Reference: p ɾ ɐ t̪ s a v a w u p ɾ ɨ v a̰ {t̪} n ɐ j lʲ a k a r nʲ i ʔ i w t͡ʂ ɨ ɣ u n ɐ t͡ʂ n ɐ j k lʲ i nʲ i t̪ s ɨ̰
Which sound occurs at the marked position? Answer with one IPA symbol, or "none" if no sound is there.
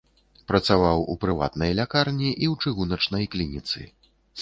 t̪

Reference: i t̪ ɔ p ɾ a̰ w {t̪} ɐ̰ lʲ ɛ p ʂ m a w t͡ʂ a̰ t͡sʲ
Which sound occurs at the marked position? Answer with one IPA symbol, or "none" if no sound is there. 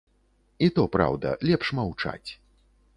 d̪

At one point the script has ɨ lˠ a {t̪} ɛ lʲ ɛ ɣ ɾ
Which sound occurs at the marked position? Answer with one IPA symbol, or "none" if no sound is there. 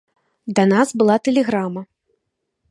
t̪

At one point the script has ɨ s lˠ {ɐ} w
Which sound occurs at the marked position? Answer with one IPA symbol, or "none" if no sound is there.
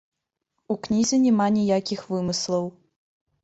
ɐ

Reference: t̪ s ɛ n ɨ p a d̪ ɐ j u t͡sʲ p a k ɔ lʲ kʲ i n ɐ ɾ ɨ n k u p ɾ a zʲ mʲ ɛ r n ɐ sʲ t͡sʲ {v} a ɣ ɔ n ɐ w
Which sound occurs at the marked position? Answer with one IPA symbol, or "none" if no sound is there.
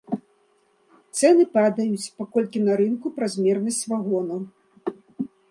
v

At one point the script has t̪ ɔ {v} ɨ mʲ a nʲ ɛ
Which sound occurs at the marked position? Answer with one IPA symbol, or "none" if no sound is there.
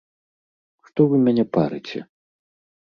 v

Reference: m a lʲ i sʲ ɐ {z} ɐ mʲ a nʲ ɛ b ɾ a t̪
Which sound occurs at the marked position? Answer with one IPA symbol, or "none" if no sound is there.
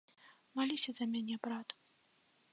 z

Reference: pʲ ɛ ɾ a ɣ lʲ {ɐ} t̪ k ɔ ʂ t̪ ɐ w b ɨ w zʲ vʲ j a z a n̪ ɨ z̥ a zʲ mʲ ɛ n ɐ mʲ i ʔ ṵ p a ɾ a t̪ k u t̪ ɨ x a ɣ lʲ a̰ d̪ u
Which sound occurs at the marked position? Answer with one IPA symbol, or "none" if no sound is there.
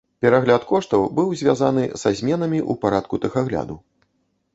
a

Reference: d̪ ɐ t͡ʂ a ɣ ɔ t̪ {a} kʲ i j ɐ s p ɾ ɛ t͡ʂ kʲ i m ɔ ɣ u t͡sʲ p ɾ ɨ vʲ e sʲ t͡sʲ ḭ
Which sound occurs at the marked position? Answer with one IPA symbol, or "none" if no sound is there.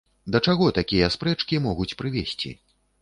a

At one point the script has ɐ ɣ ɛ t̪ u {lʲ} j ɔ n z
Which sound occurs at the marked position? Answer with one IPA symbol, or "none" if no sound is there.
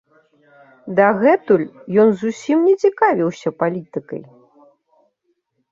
lʲ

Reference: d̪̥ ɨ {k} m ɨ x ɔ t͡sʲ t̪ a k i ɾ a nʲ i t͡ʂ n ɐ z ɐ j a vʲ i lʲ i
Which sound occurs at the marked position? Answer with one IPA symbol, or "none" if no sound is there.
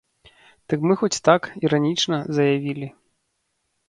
k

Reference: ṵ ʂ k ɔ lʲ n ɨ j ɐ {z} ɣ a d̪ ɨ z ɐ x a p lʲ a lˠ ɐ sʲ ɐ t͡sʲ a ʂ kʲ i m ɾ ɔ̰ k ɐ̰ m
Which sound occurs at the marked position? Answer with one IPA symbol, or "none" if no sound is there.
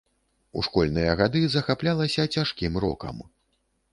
none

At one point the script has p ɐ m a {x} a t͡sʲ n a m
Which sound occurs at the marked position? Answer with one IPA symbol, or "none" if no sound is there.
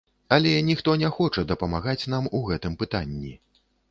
ɣ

